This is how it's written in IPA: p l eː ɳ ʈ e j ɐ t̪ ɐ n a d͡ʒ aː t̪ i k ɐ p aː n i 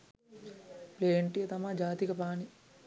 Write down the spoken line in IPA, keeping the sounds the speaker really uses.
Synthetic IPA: p l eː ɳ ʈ i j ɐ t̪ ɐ m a d͡ʒ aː t̪ i k ɐ p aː n i